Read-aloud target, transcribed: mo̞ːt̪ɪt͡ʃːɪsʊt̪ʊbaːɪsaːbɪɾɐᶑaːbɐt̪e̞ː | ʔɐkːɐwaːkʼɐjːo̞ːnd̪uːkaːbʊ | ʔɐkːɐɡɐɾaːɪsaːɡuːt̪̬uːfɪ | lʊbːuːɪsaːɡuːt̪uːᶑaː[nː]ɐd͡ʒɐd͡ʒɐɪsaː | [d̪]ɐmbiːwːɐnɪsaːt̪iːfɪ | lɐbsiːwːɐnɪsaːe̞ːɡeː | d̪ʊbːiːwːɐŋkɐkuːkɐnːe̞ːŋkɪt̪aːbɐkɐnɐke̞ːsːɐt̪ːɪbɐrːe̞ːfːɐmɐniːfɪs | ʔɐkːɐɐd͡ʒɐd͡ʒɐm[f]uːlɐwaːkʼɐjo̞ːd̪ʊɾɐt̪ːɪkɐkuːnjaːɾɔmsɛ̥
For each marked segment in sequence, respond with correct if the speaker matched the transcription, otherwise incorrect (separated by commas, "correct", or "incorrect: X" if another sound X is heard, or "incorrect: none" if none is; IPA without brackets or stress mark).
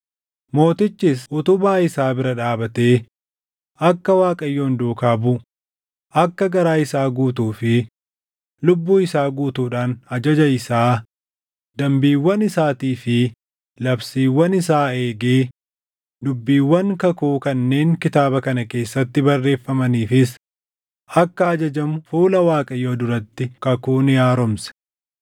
incorrect: n, correct, correct